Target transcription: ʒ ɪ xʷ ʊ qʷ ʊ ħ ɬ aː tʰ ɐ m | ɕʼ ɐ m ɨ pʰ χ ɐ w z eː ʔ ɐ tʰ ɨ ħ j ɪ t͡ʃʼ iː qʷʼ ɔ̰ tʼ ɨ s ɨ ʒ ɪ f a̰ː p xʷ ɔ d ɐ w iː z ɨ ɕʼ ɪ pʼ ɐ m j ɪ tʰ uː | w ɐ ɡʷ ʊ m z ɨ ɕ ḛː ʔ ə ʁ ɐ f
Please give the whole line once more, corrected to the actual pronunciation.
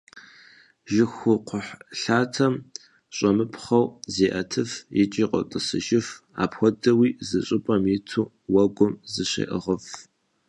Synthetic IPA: ʒ ɪ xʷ ʊ qʷ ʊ ħ ɬ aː tʰ ɐ m | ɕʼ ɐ m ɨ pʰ χ ɐ w z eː ʔ ɐ tʰ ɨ f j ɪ t͡ʃʼ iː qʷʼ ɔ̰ tʼ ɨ s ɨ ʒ ɪ f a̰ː p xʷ ɔ d ɐ w iː z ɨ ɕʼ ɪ pʼ ɐ m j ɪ tʰ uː | w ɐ ɡʷ ʊ m z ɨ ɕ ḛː ʔ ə ʁ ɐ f